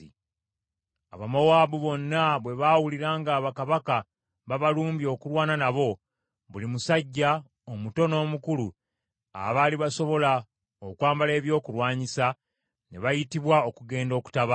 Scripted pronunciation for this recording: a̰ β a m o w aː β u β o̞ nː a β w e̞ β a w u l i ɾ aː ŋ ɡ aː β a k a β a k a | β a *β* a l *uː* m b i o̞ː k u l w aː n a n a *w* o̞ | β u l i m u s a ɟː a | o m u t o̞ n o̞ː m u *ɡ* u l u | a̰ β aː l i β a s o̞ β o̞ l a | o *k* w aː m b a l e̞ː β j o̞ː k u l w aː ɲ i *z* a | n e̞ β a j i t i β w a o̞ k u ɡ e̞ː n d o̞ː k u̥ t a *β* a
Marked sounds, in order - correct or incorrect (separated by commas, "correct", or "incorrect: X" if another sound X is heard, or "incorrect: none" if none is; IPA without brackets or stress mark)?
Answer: correct, correct, incorrect: β, incorrect: k, correct, incorrect: s, correct